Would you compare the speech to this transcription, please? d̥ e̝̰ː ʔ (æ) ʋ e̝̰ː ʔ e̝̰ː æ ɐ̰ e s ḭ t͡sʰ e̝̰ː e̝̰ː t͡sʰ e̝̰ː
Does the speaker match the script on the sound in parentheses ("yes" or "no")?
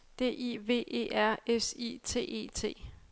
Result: no